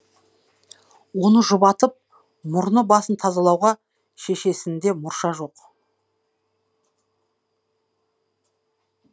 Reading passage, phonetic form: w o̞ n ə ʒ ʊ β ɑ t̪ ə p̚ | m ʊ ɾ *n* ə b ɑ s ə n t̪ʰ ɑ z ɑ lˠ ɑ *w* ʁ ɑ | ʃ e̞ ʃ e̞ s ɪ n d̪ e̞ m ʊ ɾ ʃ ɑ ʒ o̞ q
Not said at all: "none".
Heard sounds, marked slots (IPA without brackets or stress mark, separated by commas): n, w